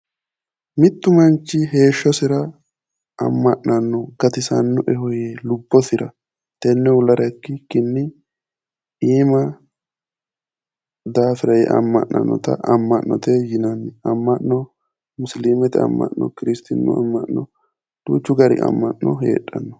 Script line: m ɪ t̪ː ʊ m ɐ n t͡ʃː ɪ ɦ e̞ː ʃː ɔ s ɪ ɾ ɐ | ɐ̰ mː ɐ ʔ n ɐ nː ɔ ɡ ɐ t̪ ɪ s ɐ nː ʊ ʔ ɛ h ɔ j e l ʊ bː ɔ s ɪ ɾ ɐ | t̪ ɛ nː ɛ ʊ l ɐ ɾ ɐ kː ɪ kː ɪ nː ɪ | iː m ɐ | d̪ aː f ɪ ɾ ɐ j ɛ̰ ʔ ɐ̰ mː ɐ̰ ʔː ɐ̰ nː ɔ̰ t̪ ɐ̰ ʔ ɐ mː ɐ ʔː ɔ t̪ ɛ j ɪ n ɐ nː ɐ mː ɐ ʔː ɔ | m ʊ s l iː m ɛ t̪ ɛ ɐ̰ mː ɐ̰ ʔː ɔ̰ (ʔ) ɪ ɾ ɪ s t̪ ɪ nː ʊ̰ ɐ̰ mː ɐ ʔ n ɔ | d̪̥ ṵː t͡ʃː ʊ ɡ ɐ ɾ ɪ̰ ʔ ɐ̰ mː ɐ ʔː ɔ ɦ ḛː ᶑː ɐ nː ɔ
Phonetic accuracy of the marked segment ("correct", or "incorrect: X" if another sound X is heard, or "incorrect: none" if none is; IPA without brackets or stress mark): incorrect: k